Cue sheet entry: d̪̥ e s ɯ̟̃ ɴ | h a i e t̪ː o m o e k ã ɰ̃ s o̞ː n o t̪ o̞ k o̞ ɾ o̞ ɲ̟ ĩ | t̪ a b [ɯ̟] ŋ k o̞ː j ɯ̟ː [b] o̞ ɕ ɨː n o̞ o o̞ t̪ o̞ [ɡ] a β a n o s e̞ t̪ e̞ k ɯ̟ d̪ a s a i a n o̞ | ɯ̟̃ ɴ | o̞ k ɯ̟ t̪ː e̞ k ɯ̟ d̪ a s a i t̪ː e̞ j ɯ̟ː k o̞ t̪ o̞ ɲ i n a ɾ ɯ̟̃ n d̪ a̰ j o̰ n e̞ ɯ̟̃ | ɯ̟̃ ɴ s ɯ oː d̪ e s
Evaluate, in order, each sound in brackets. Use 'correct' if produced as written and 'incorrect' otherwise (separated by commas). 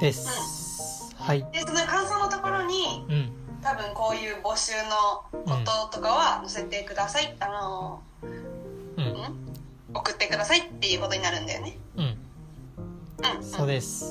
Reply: incorrect, correct, incorrect